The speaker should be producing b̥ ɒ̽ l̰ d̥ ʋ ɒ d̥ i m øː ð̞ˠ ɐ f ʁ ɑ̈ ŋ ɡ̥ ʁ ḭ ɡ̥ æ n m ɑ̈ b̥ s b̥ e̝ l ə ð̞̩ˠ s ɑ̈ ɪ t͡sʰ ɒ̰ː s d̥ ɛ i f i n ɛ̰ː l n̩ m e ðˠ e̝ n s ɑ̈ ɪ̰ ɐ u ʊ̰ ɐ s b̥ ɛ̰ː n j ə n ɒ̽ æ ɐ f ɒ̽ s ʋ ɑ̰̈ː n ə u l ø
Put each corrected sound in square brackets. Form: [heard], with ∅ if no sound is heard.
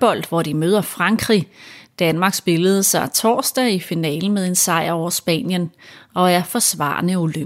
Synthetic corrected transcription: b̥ ɒ̽ l̰ d̥ ʋ ɒ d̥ i m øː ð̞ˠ ɐ f ʁ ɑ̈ ŋ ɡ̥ ʁ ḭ [d̥] æ n m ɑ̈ [ɡ̥] s b̥ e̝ l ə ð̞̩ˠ s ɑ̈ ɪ t͡sʰ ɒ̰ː s d̥ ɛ i f i n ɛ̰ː l n̩ m e ðˠ e̝ n s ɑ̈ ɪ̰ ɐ [ɒ] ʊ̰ ɐ s b̥ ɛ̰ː n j ə n ɒ̽ æ ɐ f ɒ̽ s ʋ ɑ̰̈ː n ə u l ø